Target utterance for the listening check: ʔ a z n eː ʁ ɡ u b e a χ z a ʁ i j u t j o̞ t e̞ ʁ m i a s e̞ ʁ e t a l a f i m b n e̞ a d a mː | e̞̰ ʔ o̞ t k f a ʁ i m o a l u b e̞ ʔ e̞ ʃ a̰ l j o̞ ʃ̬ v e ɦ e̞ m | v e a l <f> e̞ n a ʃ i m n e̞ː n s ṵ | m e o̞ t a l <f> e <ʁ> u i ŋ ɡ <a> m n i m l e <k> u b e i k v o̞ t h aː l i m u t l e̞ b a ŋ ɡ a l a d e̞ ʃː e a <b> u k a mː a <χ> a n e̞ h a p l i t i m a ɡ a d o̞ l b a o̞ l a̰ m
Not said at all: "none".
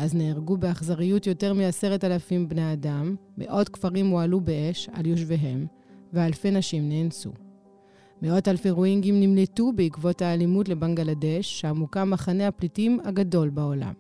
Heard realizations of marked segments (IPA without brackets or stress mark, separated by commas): f, f, ʁ, i, t, m, χ